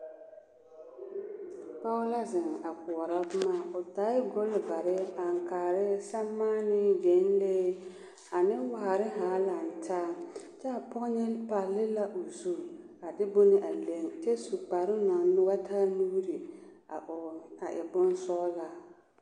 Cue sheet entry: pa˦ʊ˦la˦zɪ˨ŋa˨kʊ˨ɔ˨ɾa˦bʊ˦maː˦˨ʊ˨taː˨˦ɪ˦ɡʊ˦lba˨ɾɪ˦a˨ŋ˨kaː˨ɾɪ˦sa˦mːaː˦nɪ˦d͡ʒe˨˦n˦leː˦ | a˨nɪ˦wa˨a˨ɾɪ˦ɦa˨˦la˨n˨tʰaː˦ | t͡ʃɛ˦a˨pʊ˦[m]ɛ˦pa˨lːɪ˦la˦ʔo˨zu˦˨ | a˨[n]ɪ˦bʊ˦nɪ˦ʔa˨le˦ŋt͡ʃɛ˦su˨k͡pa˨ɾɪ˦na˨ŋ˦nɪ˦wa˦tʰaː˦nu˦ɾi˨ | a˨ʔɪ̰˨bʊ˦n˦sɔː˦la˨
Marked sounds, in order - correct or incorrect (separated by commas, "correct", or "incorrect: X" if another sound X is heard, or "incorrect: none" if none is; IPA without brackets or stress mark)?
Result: incorrect: ɲ, incorrect: d